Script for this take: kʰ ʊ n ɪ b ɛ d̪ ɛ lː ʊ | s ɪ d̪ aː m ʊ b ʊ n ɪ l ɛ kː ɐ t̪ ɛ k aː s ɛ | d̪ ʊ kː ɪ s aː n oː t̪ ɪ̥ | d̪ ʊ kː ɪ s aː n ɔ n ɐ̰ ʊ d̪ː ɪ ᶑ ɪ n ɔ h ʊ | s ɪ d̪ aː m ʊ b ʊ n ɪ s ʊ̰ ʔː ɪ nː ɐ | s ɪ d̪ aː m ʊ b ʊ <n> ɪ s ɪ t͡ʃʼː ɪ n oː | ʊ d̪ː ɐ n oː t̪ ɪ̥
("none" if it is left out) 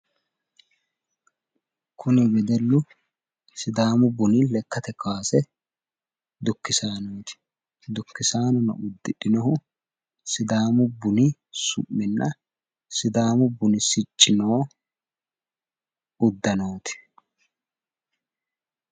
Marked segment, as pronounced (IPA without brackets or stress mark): n